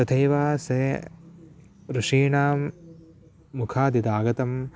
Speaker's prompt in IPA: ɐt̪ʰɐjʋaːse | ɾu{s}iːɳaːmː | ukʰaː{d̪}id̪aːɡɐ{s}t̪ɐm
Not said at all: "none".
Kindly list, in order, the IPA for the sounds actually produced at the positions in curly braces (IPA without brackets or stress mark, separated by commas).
ʂ, d̪, none